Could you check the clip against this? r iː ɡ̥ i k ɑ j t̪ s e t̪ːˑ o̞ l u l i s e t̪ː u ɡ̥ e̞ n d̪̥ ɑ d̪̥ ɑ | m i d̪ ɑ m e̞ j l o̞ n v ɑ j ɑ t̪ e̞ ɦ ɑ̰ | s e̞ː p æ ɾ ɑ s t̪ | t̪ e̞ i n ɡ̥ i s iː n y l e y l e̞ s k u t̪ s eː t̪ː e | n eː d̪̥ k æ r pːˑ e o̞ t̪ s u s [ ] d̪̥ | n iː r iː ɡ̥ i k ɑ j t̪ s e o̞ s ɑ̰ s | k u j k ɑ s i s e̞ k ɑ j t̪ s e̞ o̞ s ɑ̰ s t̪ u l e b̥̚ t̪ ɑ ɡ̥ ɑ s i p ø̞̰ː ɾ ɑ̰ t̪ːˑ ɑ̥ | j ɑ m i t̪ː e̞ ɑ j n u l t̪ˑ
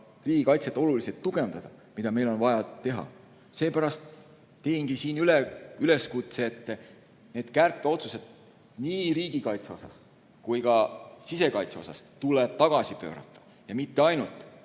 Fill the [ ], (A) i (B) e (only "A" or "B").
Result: B